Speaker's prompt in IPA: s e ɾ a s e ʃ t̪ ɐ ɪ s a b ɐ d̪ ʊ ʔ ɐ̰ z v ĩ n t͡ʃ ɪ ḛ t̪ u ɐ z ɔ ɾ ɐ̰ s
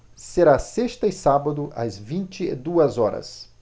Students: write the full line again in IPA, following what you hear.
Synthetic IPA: s e ɾ a s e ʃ t̪ ɐ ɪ s a b ɐ d̪ ʊ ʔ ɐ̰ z v ĩ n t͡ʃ ɪ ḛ d̪ u ɐ z ɔ ɾ ɐ̰ s